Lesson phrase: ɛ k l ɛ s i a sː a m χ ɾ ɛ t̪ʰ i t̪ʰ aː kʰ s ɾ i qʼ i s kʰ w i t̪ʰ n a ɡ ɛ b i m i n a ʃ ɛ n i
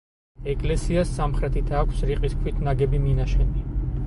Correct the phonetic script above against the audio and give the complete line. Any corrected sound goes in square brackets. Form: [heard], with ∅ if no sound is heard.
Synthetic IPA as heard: ɛ [kʼ] l ɛ s i a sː a m χ ɾ ɛ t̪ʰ i t̪ʰ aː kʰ s ɾ i qʼ i s kʰ w i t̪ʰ n a ɡ ɛ b i m i n a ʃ ɛ n i